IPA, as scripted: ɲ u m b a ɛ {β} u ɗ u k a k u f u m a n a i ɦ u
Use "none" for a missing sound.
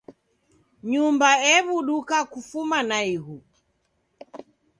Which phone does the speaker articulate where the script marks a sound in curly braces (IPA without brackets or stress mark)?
β